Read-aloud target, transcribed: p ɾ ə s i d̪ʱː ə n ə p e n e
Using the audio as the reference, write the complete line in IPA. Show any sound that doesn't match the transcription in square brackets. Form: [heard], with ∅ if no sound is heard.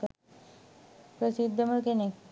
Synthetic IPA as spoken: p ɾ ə s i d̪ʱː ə [m] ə [k] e n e